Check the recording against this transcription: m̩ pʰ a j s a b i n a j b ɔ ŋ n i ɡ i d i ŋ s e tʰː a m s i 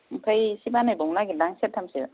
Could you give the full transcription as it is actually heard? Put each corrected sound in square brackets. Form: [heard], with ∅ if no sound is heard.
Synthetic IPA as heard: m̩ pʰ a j s [i] b [a] n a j b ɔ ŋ n [a] ɡ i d [a] ŋ s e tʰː a m s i